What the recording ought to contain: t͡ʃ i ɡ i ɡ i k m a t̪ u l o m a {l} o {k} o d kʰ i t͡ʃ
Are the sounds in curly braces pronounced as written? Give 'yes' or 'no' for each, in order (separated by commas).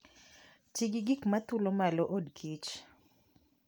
yes, no